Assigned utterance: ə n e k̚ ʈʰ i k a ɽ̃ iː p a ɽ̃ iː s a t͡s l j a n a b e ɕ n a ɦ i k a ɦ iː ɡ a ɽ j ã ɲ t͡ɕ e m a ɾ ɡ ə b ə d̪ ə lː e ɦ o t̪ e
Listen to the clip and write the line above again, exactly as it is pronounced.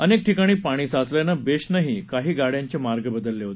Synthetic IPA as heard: ə n e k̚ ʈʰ i k a ɽ̃ iː p a ɽ̃ iː s a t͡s l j a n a b e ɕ n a ɦ i k a ɦ iː ɡ a ɽ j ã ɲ t͡ɕ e m a ɾ ɡ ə b ə d̪ ə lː e ɦ o t̪ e